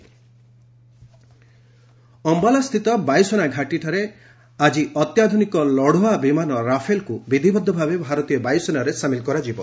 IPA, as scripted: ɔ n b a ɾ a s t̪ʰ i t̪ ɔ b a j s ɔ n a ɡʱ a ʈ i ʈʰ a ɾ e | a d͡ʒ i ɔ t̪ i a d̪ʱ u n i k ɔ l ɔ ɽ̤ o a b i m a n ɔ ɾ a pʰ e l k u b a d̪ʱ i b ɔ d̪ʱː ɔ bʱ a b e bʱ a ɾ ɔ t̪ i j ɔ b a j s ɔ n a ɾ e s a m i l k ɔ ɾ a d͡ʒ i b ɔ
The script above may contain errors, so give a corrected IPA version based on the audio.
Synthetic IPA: ɔ m b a l a s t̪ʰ i t̪ ɔ b a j s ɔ n a ɡʱ a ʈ i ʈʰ a ɾ e | a d͡ʒ i ɔ t̪ j a d̪ʱ u n i k ɔ l ɔ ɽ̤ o a b i m a n ɔ ɾ a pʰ e l k u b i d̪ʱ i b ɔ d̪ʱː ɔ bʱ a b e bʱ a ɾ ɔ t̪ i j ɔ b a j s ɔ n a ɾ e s a m i l k ɔ ɾ a d͡ʒ i b ɔ